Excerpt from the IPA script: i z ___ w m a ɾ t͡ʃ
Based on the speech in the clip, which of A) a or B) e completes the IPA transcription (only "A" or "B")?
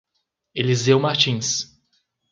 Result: B